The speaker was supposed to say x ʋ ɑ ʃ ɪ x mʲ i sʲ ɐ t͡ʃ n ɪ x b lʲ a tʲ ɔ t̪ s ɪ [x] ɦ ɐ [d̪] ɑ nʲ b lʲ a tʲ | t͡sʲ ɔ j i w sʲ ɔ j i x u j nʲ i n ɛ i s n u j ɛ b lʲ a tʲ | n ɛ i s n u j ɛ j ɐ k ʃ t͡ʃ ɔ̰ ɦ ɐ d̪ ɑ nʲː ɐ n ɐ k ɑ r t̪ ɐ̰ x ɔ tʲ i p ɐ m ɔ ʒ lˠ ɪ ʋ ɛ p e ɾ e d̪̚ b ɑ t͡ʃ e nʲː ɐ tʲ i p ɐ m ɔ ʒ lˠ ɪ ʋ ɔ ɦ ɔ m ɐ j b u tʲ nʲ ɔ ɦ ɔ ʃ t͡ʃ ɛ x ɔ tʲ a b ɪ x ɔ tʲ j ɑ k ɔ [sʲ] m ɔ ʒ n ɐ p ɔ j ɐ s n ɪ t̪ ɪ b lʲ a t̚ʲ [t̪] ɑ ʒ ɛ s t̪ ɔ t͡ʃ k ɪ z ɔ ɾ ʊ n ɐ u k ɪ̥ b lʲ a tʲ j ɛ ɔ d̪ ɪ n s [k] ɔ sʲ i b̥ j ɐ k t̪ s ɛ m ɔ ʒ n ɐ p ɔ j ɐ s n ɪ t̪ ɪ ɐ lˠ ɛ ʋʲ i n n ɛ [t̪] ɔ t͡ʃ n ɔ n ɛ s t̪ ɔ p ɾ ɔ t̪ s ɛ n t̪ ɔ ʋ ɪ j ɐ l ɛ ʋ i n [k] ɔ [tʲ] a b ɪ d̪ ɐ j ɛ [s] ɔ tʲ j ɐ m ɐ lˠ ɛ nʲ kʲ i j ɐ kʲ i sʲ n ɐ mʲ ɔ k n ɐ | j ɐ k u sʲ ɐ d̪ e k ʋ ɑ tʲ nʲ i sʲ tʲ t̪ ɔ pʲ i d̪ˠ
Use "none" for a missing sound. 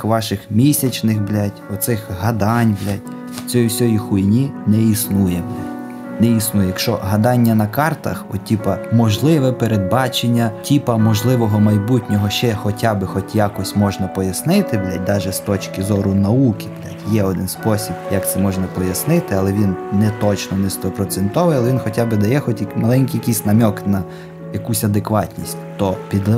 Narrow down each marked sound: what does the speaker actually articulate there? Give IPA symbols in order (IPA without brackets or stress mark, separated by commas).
x, d̪, sʲ, d̪, p, t̪, x, tʲ, x